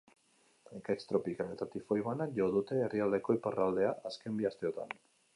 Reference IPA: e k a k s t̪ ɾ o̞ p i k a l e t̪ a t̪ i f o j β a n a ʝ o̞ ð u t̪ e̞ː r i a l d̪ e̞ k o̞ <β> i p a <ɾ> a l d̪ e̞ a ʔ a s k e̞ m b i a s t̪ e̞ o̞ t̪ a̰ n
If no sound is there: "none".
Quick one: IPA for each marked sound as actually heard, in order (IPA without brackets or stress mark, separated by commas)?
none, r